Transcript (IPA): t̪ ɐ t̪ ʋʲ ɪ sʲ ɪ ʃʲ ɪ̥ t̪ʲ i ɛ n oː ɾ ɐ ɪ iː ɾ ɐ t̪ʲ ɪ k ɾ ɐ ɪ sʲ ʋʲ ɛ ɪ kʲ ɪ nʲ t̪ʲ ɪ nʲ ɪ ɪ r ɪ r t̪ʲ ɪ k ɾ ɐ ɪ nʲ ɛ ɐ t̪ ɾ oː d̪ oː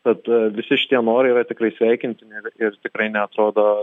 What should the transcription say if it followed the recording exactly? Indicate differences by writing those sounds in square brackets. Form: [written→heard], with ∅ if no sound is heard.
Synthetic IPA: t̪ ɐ t̪ ʋʲ ɪ sʲ ɪ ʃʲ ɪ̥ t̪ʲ i ɛ n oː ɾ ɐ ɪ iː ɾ ɐ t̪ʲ ɪ k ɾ ɐ ɪ sʲ ʋʲ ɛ ɪ kʲ ɪ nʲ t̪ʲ ɪ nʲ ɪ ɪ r ɪ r t̪ʲ ɪ k ɾ ɐ ɪ nʲ ɛ ɐ t̪ ɾ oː d̪ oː